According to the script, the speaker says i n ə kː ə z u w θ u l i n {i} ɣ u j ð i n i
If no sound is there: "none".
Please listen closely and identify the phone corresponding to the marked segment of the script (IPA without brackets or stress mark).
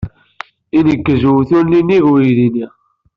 i